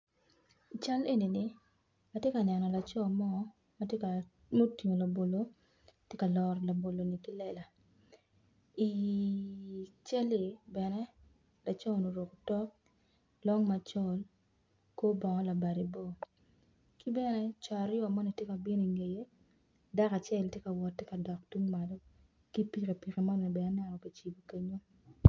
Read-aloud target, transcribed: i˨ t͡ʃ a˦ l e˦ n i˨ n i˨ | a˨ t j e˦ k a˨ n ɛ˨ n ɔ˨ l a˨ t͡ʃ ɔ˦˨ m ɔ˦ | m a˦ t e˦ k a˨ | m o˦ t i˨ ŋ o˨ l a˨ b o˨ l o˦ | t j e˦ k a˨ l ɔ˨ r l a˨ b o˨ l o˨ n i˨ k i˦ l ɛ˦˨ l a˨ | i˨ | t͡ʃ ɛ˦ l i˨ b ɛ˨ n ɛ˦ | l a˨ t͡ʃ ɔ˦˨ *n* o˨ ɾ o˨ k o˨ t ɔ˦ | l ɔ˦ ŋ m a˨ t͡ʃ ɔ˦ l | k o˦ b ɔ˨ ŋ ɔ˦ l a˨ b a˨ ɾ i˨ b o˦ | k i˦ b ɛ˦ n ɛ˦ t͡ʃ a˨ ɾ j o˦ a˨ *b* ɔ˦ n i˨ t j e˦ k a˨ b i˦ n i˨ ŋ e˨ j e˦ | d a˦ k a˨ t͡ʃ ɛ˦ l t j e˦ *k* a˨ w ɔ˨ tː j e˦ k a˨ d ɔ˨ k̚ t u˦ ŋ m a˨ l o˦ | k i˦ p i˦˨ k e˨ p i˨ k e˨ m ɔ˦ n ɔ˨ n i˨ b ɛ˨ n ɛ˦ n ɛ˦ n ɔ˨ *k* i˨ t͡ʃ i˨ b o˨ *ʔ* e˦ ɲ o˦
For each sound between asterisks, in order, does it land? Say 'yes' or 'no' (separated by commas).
yes, no, yes, yes, no